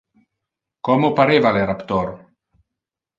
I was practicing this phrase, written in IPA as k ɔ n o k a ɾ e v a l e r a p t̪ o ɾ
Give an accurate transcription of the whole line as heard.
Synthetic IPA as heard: k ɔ m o p a ɾ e v a l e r a p t̪ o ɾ